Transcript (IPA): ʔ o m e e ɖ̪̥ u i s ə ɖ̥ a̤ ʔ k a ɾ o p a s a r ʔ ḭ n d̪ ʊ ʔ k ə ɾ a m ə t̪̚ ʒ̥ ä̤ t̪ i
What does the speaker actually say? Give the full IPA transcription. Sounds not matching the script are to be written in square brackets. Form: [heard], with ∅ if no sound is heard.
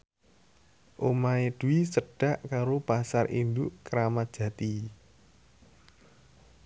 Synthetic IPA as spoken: ʔ o m [a] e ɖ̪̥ u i s ə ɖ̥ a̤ ʔ k a ɾ o p a s a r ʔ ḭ n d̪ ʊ ʔ k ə ɾ a m [a] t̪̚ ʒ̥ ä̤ t̪ i

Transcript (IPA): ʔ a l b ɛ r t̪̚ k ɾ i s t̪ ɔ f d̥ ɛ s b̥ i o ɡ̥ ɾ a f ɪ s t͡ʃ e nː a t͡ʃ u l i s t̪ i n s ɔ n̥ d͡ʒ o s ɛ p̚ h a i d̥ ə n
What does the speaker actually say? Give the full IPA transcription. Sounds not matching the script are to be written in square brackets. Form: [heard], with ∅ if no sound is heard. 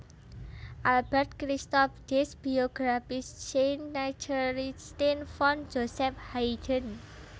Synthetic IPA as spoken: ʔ a l b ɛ r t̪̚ k ɾ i s t̪ ɔ f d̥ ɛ s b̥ i o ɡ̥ ɾ a f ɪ s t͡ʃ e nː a t͡ʃ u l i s t̪ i n [f] ɔ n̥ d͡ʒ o s ɛ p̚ h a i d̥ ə n

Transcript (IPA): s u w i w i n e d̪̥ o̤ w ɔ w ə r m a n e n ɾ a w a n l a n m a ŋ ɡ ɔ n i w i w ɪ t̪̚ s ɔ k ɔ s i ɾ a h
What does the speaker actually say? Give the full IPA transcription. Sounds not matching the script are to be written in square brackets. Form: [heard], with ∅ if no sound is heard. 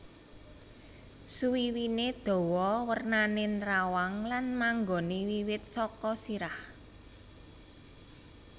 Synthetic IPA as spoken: s u w i w i n e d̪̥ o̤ w ɔ w ə r [n] a n e n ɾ a w a [ŋ] l a n m a ŋ ɡ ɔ n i w i w ɪ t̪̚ s ɔ k ɔ s i ɾ a h

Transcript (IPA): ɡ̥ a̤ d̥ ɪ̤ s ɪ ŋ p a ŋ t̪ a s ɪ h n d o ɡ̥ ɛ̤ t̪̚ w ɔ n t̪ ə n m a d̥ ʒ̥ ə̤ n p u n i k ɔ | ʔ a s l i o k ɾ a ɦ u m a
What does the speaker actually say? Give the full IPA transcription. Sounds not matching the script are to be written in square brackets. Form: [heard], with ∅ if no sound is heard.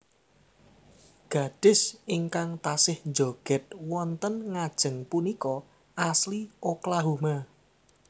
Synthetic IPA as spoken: ɡ̥ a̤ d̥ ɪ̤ s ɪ ŋ [k] a ŋ t̪ a s ɪ h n [d͡ʒ] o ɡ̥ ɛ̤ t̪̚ w ɔ n t̪ ə n [ŋ] a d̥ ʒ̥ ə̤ [ŋ] p u n i k ɔ | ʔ a s l i o k [l] a ɦ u m a

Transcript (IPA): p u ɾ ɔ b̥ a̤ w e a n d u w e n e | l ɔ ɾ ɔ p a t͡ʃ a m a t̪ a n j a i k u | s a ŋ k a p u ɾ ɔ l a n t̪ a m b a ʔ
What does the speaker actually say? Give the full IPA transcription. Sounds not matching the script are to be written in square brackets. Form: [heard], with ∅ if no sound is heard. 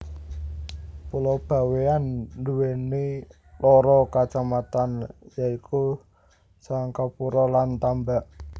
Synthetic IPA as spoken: p u [l] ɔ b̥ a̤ w e a n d u w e n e | l ɔ ɾ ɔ [k] a t͡ʃ a m a t̪ a n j a i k u | s a ŋ k a p u ɾ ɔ l a n t̪ a m b a ʔ

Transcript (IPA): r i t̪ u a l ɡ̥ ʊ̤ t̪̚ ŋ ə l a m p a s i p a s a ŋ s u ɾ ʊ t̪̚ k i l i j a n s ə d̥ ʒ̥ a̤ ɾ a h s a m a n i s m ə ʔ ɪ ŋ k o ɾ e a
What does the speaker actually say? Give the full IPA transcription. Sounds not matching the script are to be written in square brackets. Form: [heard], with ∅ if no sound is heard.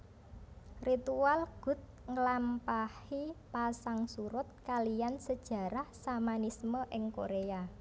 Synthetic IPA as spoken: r i t̪ u a l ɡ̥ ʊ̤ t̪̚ ŋ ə l a m p a [h] i p a s a ŋ s u ɾ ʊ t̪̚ k [a] l i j a n s ə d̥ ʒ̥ a̤ ɾ a h s a m a n i s m ə ʔ ɪ ŋ k o ɾ e a

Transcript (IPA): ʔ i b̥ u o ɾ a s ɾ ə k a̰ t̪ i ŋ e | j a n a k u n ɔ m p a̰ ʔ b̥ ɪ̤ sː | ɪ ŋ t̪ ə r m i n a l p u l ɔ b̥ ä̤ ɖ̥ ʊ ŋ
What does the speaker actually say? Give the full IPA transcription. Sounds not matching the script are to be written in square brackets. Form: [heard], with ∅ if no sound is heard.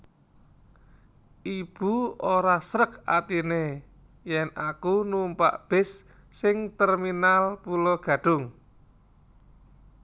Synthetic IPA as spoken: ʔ i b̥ u o ɾ a s ɾ ə k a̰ t̪ i [n] e | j [ɛ] n a k u n [u] m p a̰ ʔ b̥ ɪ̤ sː | ɪ ŋ t̪ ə r m i n a l p u l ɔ [ɡ̥] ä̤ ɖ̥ ʊ ŋ

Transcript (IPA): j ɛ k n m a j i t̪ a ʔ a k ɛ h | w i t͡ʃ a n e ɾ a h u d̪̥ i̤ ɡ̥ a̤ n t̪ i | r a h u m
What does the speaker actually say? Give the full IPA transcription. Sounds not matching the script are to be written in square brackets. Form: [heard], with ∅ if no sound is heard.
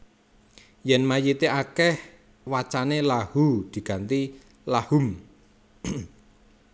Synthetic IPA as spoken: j ɛ [∅] n m a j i t̪ [e] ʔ a k ɛ h | w [a] t͡ʃ a n e [l] a h u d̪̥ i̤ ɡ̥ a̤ n t̪ i | [l] a h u m

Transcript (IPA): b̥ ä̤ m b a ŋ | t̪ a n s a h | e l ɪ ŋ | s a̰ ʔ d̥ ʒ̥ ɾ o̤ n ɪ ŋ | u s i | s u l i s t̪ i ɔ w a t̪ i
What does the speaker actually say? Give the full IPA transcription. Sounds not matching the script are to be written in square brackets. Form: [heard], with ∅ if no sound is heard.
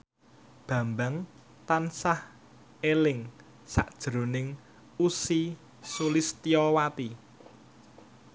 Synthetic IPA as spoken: b̥ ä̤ m b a ŋ | t̪ a n s a h | e l ɪ ŋ | s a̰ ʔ d̥ ʒ̥ ɾ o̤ n ɪ ŋ | u s i | s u l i s t̪ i ɔ w a t̪ i

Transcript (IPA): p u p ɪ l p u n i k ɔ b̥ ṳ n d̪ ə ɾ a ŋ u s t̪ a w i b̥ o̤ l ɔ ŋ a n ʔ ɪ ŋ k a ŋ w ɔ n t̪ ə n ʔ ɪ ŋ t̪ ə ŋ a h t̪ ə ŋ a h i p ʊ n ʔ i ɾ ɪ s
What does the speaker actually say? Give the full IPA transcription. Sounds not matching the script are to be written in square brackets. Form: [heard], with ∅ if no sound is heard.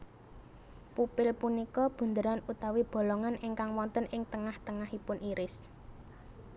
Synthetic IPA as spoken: p u p ɪ l p u n i k ɔ b̥ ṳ n d̪ ə ɾ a [n] u [∅] t̪ a w i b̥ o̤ l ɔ ŋ a n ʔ ɪ ŋ k a ŋ w ɔ n t̪ ə n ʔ ɪ ŋ t̪ ə ŋ a h t̪ ə ŋ a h i p ʊ n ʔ i ɾ ɪ s

